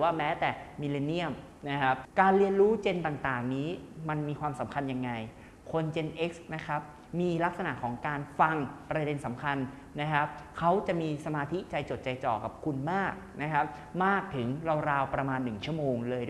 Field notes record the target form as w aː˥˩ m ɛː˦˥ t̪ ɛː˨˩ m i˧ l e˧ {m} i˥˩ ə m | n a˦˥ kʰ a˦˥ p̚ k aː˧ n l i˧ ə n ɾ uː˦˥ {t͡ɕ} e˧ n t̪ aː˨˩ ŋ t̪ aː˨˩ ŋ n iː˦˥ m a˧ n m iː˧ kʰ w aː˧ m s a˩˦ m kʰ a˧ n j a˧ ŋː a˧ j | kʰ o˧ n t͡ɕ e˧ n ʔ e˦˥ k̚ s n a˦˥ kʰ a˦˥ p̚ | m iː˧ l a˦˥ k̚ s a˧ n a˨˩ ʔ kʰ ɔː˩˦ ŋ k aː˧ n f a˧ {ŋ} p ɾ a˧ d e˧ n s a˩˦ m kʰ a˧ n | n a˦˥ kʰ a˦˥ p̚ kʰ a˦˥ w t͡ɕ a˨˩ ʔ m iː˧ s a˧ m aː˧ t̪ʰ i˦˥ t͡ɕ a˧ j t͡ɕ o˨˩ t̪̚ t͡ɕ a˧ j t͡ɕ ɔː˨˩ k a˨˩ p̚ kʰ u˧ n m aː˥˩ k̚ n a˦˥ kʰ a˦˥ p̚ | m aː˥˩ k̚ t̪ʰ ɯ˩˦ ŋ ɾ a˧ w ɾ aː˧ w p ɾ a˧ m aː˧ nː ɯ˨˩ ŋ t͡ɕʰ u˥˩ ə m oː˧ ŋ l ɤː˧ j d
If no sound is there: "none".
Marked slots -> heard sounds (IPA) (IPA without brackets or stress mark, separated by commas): n, t͡ɕ, ŋ